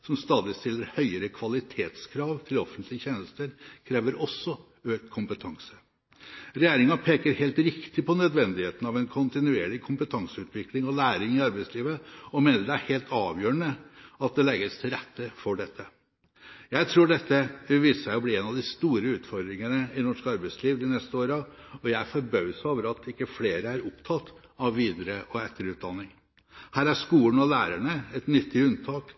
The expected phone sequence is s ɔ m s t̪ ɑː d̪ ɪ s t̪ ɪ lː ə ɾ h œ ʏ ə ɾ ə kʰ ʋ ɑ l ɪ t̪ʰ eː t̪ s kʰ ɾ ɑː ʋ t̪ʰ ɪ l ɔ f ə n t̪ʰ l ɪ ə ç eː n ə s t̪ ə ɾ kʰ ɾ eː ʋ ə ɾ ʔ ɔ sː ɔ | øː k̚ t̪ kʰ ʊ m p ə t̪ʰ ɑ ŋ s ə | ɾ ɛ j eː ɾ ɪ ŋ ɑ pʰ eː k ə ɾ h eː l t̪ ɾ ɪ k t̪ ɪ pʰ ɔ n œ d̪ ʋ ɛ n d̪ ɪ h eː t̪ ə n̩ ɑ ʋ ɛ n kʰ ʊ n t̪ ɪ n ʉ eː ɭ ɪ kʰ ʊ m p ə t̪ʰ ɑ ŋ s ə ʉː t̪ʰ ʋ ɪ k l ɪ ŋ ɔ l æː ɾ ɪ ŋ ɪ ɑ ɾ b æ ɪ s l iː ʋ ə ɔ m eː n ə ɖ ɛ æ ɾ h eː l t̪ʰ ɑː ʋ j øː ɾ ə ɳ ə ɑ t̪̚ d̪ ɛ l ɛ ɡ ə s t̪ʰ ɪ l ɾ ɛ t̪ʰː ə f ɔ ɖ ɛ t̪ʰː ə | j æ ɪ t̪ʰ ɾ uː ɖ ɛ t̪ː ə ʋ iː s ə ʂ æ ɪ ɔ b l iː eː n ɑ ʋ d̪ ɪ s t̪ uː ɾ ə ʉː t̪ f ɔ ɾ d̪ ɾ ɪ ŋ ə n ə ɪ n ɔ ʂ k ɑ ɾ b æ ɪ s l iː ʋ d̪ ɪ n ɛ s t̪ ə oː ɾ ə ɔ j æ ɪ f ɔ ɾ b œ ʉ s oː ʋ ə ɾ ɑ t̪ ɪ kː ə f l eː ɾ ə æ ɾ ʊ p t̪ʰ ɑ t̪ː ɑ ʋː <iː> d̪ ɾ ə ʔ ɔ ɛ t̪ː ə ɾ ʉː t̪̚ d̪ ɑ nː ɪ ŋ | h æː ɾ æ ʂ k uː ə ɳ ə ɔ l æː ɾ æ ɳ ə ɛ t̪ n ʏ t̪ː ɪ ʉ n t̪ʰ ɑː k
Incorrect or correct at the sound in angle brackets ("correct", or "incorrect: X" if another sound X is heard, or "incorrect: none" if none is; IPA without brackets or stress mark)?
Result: correct